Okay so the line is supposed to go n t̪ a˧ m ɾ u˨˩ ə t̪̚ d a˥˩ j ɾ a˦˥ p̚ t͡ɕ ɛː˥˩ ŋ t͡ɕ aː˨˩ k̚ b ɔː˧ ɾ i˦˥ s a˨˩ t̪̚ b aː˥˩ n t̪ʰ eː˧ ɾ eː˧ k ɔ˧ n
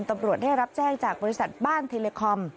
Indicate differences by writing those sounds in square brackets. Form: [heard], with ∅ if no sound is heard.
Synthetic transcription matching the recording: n t̪ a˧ m ɾ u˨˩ ə t̪̚ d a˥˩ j ɾ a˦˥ p̚ t͡ɕ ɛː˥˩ ŋ t͡ɕ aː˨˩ k̚ b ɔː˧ ɾ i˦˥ s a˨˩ t̪̚ b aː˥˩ n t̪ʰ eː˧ [l] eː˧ [kʰ] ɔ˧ [m]